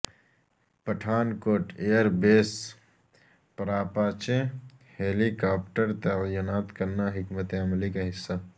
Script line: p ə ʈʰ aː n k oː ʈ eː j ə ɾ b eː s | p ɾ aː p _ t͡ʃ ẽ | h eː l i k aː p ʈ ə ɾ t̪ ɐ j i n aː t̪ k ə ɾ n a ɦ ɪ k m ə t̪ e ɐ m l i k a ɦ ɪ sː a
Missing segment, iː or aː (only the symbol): aː